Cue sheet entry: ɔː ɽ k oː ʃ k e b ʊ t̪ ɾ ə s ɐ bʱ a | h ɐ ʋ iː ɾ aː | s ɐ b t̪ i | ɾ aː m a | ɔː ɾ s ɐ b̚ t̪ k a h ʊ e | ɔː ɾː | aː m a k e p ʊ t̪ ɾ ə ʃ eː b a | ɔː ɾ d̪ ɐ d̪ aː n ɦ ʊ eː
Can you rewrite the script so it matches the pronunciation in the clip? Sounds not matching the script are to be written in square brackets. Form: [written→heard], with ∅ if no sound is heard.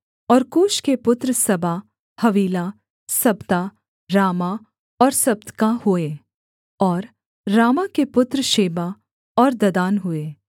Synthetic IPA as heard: ɔː [ɽ→ɾ] k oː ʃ k e [b→p] ʊ t̪ ɾ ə s ɐ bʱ a | h ɐ ʋ iː [ɾ→l] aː | s ɐ b t̪ [i→a] | ɾ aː m a | ɔː ɾ s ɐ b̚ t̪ k a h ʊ e | ɔː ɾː | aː m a k e p ʊ t̪ ɾ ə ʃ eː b a | ɔː ɾ d̪ ɐ d̪ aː n ɦ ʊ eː